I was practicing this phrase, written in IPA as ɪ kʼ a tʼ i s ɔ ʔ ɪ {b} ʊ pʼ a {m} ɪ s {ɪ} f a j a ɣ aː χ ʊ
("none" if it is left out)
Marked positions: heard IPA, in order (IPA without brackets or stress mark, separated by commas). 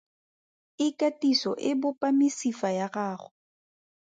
b, m, i